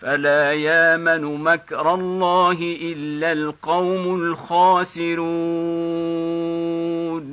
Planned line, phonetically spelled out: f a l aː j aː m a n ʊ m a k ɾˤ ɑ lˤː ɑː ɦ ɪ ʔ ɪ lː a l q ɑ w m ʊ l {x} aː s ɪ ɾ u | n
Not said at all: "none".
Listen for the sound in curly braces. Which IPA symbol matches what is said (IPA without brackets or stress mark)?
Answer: x